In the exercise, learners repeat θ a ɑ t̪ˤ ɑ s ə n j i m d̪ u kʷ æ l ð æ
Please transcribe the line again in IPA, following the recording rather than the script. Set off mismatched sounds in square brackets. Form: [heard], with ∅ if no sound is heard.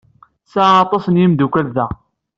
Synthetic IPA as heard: [s] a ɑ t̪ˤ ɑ s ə n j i m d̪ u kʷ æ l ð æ